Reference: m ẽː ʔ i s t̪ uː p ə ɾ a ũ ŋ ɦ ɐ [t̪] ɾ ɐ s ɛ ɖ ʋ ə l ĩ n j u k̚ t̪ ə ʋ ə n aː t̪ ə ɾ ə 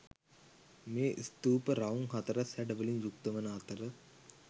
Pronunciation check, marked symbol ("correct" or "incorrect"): correct